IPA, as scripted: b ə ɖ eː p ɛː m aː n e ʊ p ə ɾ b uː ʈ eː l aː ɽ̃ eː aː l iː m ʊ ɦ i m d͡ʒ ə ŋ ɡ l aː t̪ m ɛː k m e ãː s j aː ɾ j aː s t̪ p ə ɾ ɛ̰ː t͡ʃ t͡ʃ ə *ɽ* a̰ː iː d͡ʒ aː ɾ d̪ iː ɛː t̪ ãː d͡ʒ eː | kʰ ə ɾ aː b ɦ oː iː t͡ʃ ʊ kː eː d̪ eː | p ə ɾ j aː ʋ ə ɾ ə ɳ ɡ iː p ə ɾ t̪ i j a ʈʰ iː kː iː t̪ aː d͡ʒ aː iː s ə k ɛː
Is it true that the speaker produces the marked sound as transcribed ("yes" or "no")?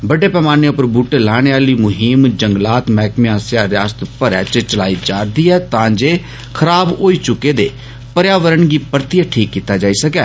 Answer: no